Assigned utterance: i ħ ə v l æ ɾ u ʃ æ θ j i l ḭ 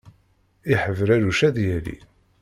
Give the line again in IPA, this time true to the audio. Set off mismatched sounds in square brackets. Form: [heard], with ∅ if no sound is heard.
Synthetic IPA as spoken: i ħ ə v [ɾ] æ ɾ u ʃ æ [ð] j [æ] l ḭ

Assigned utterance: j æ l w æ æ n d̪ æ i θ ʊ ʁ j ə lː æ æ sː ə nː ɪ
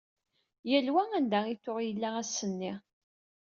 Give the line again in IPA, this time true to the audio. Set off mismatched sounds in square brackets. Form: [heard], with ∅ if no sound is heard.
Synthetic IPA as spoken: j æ l w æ æ n d̪ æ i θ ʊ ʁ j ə lː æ æ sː ə nː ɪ

